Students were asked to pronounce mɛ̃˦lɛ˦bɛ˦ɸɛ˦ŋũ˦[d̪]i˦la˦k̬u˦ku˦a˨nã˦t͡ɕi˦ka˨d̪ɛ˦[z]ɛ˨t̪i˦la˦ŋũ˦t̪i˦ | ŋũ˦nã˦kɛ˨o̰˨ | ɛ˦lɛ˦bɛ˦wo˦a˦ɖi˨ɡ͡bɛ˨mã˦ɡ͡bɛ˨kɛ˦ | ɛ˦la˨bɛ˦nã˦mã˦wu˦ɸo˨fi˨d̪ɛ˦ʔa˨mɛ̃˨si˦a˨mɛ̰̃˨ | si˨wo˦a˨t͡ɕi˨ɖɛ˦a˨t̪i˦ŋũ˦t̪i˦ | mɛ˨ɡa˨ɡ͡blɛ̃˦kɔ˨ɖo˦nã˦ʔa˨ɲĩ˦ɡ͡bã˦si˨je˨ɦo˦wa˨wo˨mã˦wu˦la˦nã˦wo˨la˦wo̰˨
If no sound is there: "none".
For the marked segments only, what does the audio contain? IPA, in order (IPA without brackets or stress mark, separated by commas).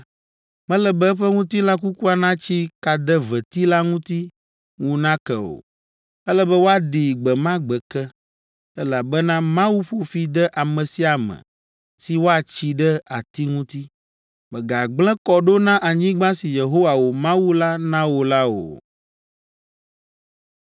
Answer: t̪, v